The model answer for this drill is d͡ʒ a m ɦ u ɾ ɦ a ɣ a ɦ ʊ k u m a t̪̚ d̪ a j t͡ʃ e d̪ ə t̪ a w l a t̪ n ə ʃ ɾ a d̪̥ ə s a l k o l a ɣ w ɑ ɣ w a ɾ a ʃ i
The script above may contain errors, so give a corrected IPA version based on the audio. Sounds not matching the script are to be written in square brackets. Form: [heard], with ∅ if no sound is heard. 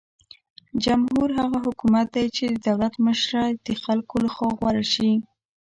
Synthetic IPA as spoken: d͡ʒ a m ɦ u ɾ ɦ a ɣ a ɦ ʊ k u m a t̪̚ d̪ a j t͡ʃ e d̪ ə [d̪] a w l a t̪ [m] ə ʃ ɾ a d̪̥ ə [x] a l k o l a [x] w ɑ ɣ w a ɾ a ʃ i